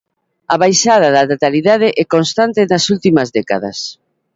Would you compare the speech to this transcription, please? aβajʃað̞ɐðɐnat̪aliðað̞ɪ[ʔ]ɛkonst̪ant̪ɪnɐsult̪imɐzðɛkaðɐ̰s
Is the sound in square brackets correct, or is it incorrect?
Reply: correct